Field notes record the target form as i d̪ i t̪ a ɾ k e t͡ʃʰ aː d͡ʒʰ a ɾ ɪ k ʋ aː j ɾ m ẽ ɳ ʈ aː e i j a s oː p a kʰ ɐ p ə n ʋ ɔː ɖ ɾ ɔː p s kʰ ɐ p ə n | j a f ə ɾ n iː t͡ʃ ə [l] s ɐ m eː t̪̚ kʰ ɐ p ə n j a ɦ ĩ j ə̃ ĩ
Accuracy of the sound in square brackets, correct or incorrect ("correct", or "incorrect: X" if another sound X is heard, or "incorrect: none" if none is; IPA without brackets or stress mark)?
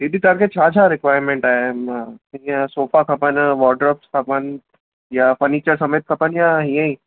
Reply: incorrect: ɾ